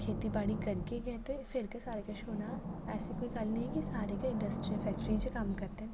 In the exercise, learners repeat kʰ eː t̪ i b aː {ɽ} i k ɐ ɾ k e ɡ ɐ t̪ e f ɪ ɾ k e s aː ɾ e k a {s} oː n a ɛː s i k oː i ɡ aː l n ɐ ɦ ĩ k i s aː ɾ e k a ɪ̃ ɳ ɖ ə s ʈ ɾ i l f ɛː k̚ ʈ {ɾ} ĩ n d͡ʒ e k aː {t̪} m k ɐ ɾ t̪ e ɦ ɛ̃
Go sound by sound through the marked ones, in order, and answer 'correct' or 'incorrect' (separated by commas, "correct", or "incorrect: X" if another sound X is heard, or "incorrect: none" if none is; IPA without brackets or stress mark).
correct, incorrect: ʃ, correct, incorrect: none